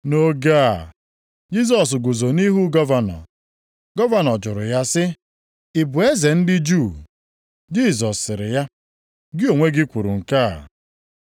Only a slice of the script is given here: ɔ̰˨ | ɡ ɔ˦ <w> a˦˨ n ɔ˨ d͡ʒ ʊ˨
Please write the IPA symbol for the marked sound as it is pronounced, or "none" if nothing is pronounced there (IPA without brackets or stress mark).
v